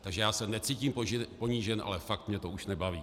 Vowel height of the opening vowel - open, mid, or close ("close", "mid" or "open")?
open